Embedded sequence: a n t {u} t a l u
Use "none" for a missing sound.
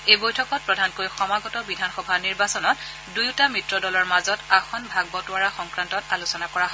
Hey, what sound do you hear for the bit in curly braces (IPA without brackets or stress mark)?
ɔ